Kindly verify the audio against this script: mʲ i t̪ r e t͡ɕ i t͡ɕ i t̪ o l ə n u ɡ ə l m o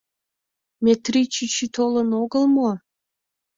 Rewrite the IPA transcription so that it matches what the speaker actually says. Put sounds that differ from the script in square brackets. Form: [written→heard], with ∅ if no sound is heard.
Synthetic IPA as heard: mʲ [i→e] t̪ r [e→i] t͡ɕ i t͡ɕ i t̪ o l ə n [u→o] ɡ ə l m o

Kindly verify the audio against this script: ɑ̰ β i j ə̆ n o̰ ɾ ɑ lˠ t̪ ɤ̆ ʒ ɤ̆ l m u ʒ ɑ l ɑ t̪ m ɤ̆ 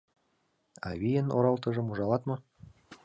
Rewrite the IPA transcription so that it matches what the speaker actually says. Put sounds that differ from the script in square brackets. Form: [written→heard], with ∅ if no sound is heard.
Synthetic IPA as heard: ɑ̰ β i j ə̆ n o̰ ɾ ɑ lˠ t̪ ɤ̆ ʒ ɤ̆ [l→∅] m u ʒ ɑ l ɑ t̪ m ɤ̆

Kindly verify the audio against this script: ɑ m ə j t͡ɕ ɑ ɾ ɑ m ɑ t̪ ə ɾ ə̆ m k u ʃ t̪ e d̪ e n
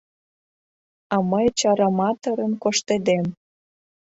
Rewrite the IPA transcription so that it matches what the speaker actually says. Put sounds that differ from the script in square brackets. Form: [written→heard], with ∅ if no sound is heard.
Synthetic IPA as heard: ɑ m ə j t͡ɕ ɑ ɾ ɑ m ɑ t̪ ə ɾ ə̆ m k [u→o] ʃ t̪ e d̪ e [n→m]

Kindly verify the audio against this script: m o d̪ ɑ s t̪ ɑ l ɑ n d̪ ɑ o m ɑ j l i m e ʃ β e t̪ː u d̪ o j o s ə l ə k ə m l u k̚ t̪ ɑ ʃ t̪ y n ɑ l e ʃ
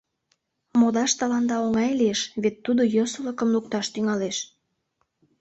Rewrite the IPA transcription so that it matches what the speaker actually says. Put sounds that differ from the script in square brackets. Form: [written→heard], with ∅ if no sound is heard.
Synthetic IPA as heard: m o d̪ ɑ [s→ʃ] t̪ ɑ l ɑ n d̪ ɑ o [m→ŋ] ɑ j l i [m→∅] e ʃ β e t̪ː u d̪ o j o s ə l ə k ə m l u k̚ t̪ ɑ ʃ t̪ y [n→ŋ] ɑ l e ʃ

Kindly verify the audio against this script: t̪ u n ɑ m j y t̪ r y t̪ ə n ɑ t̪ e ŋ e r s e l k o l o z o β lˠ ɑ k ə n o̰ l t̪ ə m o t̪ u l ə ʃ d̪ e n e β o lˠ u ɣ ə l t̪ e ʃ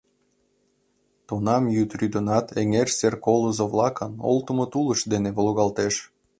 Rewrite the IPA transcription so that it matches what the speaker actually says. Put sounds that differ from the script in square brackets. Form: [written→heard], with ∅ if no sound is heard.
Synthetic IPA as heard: t̪ u n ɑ m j y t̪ r y [t̪→d̪] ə n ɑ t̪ e ŋ e r s e [l→r] k o l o z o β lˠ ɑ k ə n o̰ l t̪ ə m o t̪ u l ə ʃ d̪ e n e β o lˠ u ɣ [ə→ɑ] l t̪ e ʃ

